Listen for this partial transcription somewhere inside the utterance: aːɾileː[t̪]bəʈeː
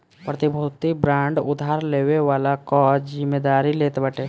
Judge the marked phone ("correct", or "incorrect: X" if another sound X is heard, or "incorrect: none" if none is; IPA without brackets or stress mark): correct